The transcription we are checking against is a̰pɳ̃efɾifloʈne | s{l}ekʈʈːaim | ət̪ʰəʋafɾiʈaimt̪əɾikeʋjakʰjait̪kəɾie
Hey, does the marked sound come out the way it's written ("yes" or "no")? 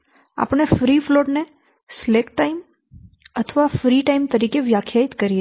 yes